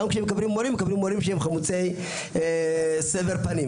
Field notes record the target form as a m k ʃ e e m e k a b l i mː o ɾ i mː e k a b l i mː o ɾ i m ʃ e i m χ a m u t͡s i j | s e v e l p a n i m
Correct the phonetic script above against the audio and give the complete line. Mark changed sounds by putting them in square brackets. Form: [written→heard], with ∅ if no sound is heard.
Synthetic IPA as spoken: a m k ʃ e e m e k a b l i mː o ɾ i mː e k a b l i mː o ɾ i m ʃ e [i→e] m χ a m u t͡s [i→e] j | s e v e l p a n i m